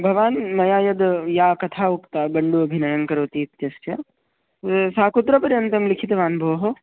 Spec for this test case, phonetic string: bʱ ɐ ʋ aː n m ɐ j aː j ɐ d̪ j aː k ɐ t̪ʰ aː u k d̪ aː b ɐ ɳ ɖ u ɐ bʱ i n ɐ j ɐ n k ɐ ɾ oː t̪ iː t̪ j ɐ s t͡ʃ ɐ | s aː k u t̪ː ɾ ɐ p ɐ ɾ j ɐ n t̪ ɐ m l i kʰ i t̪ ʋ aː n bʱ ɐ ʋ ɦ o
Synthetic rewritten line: bʱ ɐ ʋ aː n m ɐ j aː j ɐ d̪ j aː k ɐ t̪ʰ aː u k t̪ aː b ɐ ɳ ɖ u ɐ bʱ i n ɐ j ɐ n k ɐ ɾ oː t̪ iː t̪ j ɐ s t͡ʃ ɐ | s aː k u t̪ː ɾ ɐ p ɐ ɾ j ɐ n t̪ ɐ m l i kʰ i t̪ ʋ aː n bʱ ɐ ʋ ɦ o